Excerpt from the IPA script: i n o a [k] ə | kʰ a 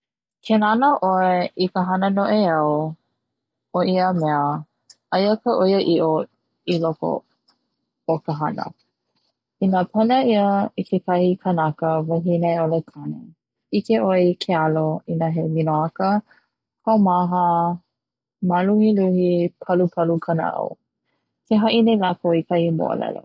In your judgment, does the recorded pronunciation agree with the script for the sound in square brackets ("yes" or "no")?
yes